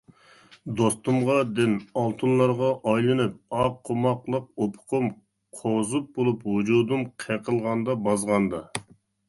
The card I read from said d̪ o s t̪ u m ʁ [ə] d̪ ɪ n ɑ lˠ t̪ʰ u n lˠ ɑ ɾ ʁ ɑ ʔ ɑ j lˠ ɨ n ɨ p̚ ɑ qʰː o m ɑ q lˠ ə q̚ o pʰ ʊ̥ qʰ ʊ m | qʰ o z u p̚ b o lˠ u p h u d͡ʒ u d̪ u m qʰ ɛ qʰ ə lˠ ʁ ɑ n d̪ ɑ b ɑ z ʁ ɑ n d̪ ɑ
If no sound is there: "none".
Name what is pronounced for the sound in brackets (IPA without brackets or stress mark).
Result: ɑ